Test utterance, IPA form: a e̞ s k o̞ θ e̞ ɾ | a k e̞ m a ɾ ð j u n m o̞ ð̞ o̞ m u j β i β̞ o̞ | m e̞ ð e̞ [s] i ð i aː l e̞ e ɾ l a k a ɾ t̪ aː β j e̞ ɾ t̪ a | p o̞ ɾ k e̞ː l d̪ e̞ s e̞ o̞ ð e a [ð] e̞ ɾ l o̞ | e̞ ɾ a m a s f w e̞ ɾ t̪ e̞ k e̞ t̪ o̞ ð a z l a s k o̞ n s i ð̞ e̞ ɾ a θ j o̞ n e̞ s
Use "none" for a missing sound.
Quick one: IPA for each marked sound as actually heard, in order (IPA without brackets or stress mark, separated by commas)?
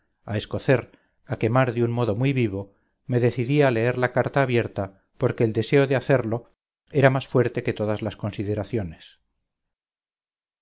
θ, θ